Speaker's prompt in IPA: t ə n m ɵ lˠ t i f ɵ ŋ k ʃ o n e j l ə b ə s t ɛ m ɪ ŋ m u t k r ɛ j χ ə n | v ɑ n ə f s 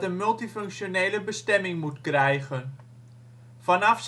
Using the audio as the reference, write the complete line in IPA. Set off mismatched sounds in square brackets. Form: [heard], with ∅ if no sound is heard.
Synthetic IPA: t ə n m ɵ lˠ t i f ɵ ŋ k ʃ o n e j l ə b ə s t ɛ m ɪ ŋ m u t k r ɛ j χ ə n | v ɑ n [ɑ] f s